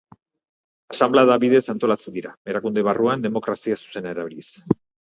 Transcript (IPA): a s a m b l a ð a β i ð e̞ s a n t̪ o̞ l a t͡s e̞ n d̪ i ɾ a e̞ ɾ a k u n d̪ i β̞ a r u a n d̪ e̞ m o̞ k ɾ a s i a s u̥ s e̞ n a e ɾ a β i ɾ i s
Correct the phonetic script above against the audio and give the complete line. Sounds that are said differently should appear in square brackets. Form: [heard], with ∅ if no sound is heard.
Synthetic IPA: a s a m b l a ð a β i ð e̞ s a n t̪ o̞ l a t͡s e̞ n d̪ i ɾ a e̞ ɾ a k u n d̪ [e] β̞ a r u a n d̪ e̞ m o̞ k ɾ a s i a s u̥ s e̞ n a e ɾ a β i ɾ i s